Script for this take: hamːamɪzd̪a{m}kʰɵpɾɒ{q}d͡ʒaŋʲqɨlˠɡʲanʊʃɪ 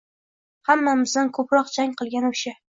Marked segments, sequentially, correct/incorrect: incorrect, correct

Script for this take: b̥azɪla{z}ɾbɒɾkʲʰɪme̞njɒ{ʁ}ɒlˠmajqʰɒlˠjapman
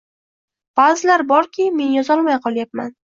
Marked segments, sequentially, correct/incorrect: incorrect, incorrect

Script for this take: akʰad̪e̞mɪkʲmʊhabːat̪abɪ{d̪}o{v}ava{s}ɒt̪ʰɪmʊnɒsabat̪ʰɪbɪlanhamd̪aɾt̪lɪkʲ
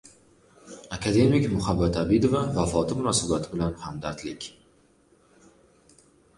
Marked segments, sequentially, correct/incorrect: correct, correct, incorrect

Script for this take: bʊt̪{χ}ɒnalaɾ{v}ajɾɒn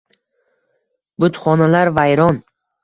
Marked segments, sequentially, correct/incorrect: correct, correct

